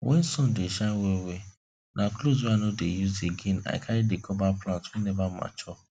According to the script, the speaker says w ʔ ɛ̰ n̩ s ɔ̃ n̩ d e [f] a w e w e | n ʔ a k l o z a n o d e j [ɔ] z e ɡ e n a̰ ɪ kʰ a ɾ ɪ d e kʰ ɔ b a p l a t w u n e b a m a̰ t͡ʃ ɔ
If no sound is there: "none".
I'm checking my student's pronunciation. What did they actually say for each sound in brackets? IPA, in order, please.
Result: ʃ, u

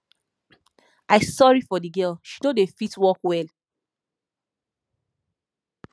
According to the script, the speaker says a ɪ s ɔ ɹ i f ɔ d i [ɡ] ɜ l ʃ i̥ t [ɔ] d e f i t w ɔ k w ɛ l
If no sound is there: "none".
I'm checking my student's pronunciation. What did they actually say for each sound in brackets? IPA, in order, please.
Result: ɡ, o

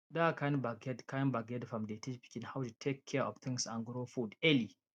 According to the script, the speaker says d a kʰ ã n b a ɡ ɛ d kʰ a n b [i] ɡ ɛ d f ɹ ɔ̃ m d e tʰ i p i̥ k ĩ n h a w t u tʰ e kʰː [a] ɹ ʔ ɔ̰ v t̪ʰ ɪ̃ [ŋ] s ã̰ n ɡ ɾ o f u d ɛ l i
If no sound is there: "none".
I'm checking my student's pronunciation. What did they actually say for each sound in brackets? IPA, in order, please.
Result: a, ɛ, ŋ

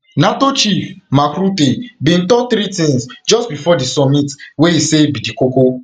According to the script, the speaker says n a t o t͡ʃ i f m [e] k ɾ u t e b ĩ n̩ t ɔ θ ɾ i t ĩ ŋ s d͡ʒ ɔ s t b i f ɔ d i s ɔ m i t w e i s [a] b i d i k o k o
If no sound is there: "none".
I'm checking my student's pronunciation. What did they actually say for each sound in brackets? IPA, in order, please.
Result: a, e

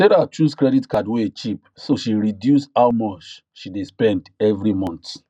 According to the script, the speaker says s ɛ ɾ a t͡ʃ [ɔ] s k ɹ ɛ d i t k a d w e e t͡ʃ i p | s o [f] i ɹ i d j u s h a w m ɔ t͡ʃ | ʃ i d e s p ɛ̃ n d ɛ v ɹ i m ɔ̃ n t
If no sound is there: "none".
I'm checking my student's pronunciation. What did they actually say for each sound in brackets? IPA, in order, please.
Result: u, ʃ

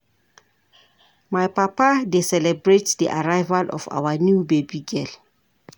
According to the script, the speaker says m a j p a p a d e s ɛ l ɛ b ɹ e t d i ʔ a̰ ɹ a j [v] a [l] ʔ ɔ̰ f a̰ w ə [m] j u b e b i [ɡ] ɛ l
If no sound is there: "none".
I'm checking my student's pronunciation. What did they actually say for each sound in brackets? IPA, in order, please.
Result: v, l, n, ɡ

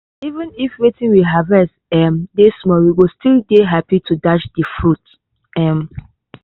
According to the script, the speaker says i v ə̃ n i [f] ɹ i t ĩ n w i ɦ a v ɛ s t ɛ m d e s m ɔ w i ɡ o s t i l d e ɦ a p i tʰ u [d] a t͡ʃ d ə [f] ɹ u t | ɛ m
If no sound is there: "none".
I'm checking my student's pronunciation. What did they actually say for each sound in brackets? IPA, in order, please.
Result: f, d, f

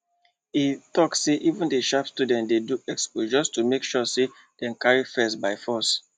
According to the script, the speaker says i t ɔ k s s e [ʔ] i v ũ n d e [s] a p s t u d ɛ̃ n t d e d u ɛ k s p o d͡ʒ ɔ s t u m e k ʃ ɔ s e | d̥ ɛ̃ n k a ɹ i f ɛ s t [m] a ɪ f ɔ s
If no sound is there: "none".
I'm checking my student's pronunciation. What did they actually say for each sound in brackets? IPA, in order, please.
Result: ʔ, ʃ, b

